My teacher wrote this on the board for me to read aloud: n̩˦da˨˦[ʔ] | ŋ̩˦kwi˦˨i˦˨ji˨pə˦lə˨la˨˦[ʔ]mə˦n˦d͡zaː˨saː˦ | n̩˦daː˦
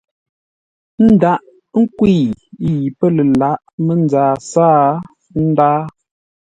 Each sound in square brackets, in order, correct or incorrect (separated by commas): correct, correct